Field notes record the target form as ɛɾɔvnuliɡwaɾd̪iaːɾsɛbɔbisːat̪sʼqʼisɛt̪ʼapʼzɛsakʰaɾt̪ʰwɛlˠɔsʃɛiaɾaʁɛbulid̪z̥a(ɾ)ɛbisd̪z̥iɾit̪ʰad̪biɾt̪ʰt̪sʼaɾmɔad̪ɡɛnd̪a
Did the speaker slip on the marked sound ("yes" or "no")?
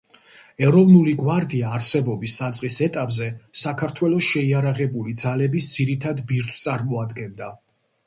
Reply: yes